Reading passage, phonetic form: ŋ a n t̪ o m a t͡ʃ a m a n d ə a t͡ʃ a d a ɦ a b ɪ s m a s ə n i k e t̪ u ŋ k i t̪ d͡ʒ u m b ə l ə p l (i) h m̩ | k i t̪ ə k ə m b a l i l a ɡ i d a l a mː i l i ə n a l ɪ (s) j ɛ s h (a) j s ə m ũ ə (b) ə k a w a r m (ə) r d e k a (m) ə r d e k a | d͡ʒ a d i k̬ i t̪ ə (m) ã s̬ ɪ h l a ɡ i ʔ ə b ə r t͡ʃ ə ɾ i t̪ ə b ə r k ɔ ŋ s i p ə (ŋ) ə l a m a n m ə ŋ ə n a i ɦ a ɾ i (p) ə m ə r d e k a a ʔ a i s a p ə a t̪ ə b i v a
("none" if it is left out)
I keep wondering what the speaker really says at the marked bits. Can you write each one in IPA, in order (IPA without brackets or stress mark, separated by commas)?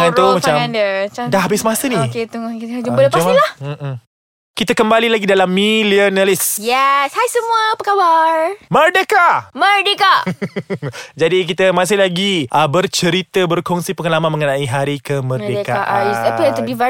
a, s, a, p, ə, m, m, ŋ, k